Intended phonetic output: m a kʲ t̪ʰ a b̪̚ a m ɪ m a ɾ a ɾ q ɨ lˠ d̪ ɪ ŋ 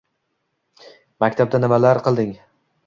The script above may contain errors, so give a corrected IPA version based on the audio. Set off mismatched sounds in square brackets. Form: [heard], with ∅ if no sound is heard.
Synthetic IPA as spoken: m a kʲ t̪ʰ a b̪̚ a [n] ɪ m a [l] a ɾ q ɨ lˠ d̪ ɪ ŋ